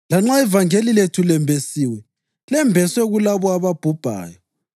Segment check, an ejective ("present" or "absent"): absent